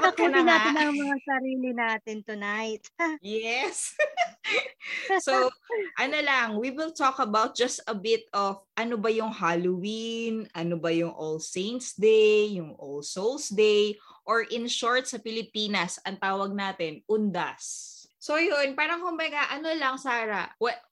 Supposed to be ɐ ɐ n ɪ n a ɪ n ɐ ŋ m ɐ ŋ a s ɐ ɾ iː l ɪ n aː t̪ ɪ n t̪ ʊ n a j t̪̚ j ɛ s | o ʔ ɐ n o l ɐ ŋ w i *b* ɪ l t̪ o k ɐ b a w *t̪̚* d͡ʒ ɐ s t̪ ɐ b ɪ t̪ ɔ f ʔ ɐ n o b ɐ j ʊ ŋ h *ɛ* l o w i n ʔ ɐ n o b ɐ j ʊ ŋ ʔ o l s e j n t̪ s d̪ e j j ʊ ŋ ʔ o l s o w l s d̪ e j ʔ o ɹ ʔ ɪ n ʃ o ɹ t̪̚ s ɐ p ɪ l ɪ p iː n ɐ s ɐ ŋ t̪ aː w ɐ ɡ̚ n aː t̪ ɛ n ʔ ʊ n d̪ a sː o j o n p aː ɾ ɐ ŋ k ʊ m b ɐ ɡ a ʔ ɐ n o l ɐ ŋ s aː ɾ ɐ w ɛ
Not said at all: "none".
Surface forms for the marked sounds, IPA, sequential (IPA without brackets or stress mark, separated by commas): w, t̪̚, a